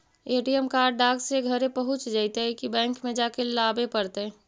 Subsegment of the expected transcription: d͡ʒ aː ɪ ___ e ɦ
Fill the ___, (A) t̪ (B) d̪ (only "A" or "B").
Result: A